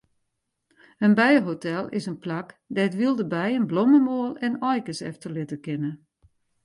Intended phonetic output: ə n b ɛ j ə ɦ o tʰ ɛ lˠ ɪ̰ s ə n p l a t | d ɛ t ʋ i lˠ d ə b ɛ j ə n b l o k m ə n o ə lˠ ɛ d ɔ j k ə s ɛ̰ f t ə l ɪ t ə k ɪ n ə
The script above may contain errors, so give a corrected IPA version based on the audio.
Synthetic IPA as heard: ə n b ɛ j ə ɦ o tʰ ɛ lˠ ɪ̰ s ə n p l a k | d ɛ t ʋ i lˠ d ə b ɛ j ə n b l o m ə m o ə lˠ ɛ n ɔ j k ə s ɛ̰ f t ə l ɪ t ə k ɪ n ə